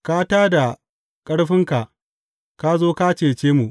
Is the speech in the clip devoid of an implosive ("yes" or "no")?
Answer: yes